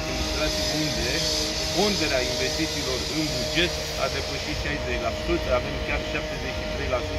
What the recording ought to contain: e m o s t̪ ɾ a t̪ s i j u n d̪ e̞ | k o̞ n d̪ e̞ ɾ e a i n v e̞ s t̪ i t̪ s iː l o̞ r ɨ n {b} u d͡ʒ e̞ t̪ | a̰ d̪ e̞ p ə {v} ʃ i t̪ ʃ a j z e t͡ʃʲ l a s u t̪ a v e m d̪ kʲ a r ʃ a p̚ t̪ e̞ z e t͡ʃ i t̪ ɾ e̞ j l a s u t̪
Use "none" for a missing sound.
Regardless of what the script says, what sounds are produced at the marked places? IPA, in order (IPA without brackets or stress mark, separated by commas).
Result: b, none